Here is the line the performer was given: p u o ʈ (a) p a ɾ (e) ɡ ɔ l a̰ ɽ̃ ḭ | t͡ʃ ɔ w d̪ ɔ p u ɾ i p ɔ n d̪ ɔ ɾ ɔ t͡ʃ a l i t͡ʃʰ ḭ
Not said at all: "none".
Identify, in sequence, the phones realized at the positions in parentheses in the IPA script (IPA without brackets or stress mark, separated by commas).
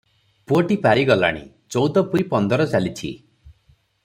i, i